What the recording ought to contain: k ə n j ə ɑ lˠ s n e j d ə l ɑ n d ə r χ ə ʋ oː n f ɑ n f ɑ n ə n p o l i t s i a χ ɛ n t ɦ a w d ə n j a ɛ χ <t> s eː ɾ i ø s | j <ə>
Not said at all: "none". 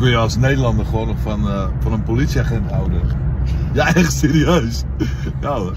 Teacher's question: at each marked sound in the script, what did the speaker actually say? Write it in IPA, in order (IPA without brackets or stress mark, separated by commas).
t, a